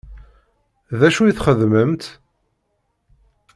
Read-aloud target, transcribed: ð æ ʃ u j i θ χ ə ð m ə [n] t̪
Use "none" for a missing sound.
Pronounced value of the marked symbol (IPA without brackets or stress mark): m